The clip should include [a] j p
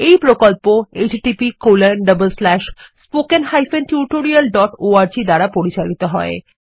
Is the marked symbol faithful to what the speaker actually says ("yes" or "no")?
no